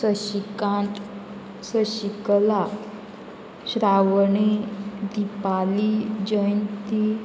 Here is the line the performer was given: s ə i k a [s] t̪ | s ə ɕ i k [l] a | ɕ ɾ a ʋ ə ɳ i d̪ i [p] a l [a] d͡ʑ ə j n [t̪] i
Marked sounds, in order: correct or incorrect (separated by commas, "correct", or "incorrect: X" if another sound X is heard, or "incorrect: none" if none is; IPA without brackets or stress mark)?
incorrect: none, correct, correct, incorrect: i, correct